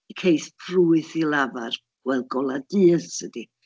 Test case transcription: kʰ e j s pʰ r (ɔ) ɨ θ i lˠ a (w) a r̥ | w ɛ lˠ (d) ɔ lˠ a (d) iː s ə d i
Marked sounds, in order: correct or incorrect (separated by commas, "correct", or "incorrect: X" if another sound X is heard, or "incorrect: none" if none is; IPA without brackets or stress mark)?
incorrect: u, incorrect: v, incorrect: ɡ, correct